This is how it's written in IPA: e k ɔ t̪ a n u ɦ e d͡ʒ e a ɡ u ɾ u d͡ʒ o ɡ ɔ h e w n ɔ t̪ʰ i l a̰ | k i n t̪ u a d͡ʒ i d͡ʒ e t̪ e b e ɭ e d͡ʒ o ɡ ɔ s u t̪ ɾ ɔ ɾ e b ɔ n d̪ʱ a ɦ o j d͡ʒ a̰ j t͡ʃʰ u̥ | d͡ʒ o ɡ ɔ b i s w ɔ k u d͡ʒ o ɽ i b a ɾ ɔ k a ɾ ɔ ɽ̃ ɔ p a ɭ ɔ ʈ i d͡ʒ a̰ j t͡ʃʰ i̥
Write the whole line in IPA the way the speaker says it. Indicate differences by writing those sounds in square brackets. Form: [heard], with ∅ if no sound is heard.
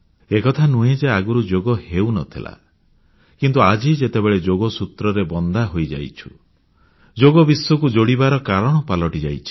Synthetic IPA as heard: e k ɔ [t̪ʰ] a n u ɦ e d͡ʒ e a ɡ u ɾ u d͡ʒ o ɡ ɔ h e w n ɔ t̪ʰ i l a̰ | k i n t̪ u a d͡ʒ i d͡ʒ e t̪ e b e ɭ e d͡ʒ o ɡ ɔ s u t̪ ɾ ɔ ɾ e b ɔ n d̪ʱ a ɦ o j d͡ʒ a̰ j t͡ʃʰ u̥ | d͡ʒ o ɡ ɔ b i s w ɔ k u d͡ʒ o ɽ i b a ɾ ɔ k a ɾ ɔ ɽ̃ ɔ p a [l] ɔ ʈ i d͡ʒ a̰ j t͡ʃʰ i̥